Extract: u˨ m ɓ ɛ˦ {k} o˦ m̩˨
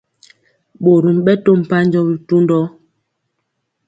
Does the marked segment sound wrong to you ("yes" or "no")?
yes